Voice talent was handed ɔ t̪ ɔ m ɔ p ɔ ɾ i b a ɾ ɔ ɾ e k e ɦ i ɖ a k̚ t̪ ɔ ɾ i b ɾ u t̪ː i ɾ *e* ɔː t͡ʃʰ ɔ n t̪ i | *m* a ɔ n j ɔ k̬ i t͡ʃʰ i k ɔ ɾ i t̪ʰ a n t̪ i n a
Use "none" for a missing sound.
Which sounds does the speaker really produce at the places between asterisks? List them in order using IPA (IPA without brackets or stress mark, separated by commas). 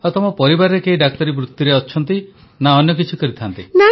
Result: e, n